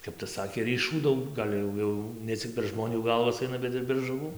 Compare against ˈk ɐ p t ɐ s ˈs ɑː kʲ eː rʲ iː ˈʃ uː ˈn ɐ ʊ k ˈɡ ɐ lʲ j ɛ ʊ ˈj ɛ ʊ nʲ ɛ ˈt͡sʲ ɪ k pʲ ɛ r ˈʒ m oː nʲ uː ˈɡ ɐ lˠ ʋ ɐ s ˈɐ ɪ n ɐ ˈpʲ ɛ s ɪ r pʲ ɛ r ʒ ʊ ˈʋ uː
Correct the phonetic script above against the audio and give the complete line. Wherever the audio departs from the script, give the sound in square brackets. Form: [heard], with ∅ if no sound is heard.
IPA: ˈk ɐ p t ɐ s ˈs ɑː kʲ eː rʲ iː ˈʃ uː [ˈd] ɐ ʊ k ˈɡ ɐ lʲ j ɛ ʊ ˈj ɛ ʊ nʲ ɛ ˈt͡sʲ ɪ k pʲ ɛ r ˈʒ m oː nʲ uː ˈɡ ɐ lˠ ʋ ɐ s ˈɐ ɪ n ɐ [ˈbʲ] ɛ [t] ɪ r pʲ ɛ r ʒ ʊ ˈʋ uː